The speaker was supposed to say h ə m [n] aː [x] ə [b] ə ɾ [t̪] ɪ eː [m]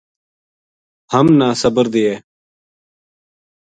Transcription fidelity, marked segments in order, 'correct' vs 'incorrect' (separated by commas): correct, incorrect, correct, incorrect, incorrect